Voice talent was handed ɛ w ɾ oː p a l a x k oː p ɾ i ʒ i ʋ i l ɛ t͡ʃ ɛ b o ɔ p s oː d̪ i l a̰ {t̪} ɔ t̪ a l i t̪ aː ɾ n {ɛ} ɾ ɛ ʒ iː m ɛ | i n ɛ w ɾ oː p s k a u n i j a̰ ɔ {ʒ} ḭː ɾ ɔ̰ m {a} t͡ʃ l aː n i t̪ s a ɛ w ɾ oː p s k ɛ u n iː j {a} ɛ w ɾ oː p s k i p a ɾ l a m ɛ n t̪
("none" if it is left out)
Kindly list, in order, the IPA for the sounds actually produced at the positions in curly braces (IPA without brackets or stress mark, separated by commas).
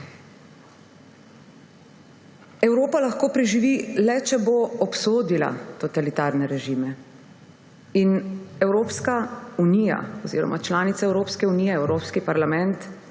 t̪, ɛ, z, a, ɛ